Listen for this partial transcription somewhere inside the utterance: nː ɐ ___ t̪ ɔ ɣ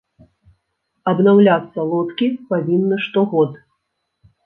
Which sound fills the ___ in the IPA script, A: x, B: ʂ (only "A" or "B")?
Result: B